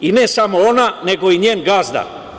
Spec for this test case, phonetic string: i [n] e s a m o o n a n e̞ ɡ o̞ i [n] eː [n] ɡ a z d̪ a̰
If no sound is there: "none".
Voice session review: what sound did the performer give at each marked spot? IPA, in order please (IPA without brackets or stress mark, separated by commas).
n, ɲ, n